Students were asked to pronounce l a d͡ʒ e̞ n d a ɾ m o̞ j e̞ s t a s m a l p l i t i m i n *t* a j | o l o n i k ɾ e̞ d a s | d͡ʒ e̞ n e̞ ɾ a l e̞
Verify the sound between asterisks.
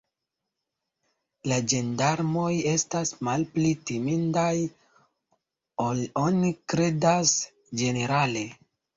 incorrect: d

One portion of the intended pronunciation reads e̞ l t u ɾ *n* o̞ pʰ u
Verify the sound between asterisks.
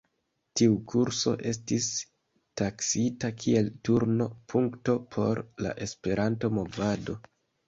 correct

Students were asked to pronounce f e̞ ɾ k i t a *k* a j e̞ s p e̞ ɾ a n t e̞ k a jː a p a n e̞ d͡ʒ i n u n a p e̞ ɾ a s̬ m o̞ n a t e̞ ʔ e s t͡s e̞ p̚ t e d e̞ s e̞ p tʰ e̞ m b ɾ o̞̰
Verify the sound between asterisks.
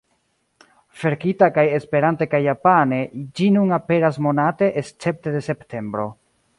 correct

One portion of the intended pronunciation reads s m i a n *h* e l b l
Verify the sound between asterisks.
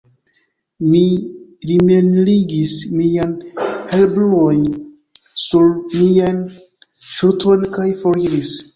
correct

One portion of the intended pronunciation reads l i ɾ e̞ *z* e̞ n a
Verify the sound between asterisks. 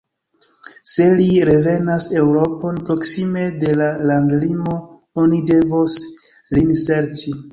incorrect: v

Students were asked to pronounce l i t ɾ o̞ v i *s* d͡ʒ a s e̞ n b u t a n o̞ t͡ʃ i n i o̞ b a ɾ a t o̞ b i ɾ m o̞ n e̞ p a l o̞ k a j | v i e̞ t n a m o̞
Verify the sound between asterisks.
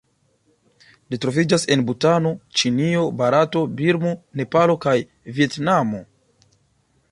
incorrect: none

